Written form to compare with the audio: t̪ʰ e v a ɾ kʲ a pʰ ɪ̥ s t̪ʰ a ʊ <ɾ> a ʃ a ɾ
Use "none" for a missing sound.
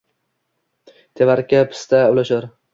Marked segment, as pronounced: l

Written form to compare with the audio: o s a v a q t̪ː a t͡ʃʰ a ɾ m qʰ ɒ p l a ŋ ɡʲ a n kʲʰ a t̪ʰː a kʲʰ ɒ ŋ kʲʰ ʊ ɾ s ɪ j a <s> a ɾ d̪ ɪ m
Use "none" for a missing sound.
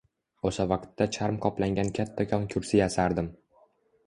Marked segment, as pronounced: s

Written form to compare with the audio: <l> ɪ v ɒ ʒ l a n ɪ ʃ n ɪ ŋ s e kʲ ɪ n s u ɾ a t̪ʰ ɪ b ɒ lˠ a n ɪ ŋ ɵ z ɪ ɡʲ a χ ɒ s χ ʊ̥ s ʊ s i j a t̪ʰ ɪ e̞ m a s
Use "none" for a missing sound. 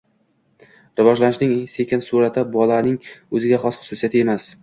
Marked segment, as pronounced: ɾ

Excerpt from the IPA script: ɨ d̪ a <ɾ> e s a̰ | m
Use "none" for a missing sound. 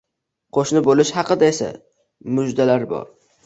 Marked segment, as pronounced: none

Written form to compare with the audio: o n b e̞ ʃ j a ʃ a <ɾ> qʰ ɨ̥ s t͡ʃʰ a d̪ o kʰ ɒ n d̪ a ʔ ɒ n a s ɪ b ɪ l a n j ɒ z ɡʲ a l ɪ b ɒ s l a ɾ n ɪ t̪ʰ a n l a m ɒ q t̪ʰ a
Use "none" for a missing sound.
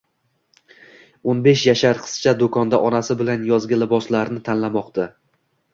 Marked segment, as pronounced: ɾ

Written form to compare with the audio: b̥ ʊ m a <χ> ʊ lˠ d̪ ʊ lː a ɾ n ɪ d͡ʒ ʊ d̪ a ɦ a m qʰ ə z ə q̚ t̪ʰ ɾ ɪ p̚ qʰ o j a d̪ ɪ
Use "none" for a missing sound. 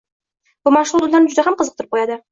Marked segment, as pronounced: ʃ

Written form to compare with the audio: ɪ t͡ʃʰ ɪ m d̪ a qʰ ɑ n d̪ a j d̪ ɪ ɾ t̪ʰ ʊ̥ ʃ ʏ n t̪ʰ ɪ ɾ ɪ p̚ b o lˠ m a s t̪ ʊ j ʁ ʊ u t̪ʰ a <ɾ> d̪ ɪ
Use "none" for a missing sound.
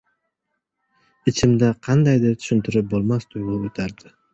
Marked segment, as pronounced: ɾ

